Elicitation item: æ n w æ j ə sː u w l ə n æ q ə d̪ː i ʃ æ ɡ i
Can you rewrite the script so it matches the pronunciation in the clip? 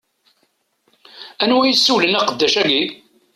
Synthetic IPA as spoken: æ n w æ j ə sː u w l ə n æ q ə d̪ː æ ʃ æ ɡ i